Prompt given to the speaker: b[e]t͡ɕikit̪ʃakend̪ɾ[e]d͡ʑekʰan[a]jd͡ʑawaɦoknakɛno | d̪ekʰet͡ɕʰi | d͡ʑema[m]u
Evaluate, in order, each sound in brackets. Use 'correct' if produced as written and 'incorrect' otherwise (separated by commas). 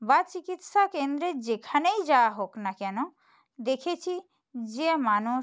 incorrect, correct, incorrect, incorrect